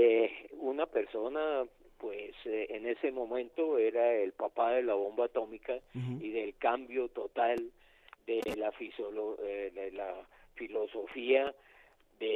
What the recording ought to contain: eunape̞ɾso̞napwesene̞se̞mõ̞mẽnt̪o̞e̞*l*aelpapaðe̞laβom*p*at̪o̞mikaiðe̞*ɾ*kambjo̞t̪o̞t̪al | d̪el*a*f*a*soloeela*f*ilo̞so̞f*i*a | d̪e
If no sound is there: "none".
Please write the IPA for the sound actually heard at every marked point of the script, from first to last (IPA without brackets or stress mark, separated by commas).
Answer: ɾ, b, l, a, i, f, i